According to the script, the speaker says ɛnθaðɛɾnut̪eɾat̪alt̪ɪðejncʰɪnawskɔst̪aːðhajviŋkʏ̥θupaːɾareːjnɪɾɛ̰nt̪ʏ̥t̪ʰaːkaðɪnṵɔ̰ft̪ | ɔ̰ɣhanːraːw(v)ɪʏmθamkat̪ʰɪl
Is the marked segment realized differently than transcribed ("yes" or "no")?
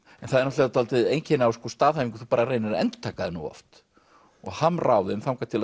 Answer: yes